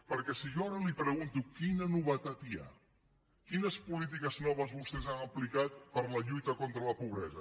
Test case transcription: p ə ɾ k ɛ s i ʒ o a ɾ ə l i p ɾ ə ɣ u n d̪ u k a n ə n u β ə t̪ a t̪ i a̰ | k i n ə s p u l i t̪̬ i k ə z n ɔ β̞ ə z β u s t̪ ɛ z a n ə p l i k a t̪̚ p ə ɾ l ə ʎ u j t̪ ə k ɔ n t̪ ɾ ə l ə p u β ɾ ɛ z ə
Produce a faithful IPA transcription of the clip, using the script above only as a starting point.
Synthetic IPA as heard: p ə ɾ k ɛ s i ʒ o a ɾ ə l i p ɾ ə ɣ u n t̪ u k i n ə n u β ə t̪ a t̪ i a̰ | k i n ə s p u l i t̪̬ i k ə z n ɔ β̞ ə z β u s t̪ ɛ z a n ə p l i k a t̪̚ p ə ɾ l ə ʎ u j t̪ ə k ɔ n t̪ ɾ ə l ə p u β ɾ ɛ z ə